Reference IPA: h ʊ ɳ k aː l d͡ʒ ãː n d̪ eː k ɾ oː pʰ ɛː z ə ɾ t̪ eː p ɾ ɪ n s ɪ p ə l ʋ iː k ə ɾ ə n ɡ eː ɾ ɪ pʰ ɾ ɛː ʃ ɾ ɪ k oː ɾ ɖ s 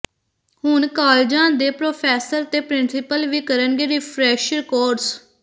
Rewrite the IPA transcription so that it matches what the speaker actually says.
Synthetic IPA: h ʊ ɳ k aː l d͡ʒ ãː n d̪ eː p ɾ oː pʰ ɛː s ə ɾ t̪ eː p ɾ ɪ n s ɪ p ə l ʋ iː k ə ɾ ə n ɡ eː ɾ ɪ pʰ ɾ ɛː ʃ ɾ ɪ k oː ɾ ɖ s